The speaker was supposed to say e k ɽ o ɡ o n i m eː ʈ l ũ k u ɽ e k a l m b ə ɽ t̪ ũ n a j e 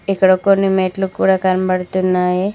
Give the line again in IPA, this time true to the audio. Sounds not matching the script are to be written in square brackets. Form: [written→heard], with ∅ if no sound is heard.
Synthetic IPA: e k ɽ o [ɡ→k] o n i m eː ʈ l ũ k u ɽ [e→a] k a [l→ɾ] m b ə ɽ t̪ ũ n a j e